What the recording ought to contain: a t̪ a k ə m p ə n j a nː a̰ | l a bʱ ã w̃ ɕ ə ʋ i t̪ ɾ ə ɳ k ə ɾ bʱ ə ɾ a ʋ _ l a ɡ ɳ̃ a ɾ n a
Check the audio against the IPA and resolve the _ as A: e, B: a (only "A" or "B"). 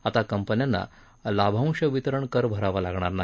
B